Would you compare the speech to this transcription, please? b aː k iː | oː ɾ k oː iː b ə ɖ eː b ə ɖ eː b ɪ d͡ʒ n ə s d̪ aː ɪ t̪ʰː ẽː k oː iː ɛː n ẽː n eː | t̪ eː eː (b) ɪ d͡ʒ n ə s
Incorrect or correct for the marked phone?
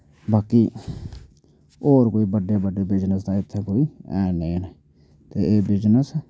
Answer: correct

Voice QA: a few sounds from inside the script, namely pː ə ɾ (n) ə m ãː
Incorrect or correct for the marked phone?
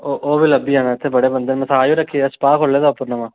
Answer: correct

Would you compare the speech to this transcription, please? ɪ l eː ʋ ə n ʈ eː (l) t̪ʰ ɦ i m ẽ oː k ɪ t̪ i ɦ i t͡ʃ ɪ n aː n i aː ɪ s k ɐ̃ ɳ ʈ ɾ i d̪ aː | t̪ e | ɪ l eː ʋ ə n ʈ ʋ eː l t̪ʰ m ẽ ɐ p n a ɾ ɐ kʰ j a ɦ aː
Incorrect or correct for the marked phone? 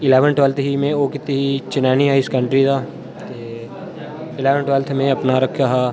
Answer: correct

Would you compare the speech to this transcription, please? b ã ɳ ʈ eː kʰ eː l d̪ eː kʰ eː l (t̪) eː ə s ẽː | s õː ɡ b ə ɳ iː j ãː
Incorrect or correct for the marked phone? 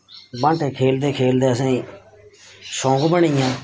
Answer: incorrect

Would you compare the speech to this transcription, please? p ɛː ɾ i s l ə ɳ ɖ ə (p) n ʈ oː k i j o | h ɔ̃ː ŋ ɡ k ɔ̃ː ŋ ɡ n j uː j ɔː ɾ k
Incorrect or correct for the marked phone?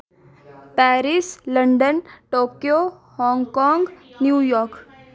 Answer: incorrect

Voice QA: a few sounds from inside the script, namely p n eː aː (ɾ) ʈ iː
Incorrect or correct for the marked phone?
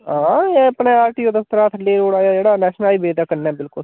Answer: correct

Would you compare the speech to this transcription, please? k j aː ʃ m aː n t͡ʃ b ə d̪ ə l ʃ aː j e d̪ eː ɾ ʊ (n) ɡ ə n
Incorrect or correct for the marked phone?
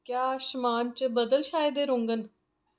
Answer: incorrect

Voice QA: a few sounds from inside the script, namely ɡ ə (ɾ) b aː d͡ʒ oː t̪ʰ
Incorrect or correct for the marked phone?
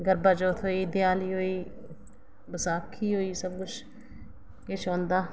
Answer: correct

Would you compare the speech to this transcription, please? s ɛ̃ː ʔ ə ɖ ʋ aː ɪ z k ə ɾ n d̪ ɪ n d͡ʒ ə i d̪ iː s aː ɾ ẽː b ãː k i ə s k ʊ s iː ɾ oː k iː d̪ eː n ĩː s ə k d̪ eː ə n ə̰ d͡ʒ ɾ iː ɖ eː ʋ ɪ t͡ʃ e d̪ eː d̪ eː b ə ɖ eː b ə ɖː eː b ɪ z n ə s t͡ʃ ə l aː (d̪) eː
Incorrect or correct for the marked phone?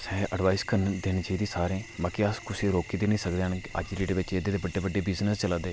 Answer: correct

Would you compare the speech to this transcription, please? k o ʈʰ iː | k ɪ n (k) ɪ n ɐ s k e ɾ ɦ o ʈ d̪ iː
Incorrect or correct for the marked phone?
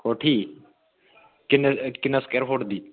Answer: correct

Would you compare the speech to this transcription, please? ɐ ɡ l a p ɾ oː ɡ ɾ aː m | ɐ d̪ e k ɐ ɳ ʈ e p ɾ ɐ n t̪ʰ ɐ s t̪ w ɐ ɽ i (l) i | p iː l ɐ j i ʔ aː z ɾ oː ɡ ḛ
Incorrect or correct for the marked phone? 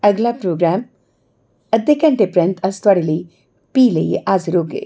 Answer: correct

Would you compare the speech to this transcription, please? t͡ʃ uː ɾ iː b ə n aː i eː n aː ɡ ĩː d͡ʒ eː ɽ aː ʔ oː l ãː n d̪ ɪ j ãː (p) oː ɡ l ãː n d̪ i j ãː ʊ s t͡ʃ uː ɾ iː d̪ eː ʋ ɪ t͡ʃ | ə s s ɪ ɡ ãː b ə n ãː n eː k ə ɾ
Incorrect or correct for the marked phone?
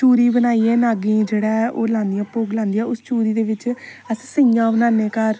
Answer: correct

